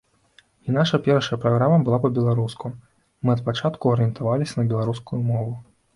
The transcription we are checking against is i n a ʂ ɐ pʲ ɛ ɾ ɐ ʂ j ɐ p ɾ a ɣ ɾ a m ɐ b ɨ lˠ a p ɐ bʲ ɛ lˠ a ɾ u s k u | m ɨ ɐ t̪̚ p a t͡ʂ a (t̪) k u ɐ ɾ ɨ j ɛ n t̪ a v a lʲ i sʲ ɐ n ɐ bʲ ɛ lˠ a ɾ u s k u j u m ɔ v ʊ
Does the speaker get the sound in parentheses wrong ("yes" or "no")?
no